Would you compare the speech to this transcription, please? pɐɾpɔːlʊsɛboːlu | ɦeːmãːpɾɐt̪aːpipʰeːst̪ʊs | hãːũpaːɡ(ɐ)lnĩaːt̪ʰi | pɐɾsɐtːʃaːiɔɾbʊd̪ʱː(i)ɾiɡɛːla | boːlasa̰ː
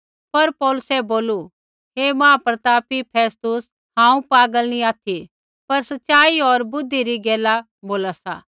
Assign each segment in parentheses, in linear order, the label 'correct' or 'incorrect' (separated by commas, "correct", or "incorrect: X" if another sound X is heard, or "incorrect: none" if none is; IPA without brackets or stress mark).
incorrect: ə, correct